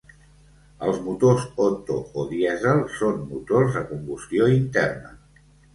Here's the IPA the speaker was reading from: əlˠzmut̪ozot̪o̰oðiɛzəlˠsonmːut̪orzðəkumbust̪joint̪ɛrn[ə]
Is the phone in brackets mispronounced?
no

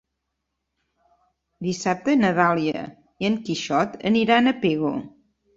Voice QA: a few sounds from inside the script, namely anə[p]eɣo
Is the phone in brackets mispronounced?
no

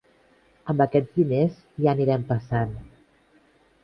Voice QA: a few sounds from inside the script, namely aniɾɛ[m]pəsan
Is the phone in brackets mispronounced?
no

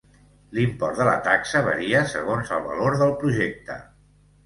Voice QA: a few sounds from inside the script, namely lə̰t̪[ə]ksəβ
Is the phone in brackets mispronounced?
yes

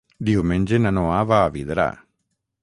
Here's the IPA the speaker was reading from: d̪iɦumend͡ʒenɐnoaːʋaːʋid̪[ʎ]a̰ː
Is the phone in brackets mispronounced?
yes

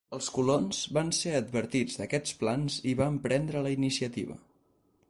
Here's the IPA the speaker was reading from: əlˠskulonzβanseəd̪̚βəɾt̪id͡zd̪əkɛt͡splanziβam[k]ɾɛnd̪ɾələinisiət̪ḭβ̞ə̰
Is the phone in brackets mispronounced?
yes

